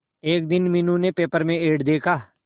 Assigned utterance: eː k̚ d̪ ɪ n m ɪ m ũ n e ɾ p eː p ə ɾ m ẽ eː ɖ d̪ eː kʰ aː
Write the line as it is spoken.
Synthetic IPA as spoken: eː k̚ d̪ ɪ n m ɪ n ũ n e p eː p ə ɾ m ẽ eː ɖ d̪ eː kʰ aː